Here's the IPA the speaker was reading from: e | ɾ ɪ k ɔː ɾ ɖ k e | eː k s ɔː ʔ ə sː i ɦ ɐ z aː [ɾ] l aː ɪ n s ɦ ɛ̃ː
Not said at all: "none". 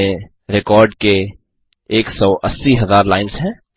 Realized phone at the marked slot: ɾ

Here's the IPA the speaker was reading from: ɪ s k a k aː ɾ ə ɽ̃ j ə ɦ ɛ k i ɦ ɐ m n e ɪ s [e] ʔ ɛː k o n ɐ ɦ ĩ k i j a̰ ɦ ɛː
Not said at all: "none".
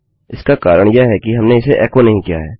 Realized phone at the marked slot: e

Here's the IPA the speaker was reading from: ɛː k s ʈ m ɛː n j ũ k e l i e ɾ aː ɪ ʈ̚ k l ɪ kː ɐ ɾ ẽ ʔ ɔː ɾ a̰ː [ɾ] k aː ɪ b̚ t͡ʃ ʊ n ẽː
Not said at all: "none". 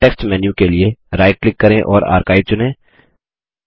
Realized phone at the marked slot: ɾ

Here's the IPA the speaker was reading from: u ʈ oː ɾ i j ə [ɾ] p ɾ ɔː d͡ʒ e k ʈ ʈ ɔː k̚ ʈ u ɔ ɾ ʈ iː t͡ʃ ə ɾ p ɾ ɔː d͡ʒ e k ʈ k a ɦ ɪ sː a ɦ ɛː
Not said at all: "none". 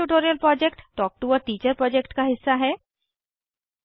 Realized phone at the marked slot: l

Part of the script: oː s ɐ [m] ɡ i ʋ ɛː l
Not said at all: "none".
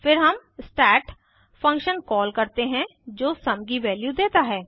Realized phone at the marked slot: m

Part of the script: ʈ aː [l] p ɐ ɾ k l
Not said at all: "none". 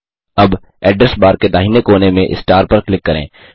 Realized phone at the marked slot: ɾ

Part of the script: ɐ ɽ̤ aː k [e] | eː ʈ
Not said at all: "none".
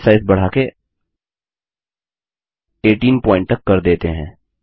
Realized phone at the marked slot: e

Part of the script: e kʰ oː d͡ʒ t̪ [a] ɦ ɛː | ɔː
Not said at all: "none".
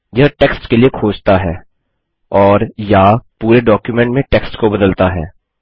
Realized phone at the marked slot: a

